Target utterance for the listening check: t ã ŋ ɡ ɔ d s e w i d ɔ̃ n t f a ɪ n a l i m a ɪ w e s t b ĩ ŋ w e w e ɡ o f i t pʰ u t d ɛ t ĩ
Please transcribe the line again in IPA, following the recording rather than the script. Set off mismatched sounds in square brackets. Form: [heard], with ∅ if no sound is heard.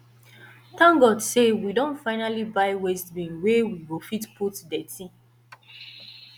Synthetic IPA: t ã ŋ ɡ ɔ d s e w i d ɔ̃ n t f a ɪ n a l i [b] a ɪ w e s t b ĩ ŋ w e w [i] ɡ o f i t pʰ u t d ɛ t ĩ